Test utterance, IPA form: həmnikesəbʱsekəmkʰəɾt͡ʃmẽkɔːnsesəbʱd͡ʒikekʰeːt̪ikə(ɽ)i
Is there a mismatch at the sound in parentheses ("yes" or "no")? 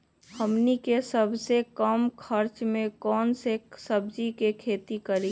yes